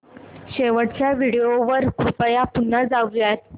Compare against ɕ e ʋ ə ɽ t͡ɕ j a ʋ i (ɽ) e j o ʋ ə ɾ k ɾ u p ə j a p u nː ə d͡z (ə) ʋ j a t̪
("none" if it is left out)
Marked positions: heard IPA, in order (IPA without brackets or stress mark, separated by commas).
ɽ, a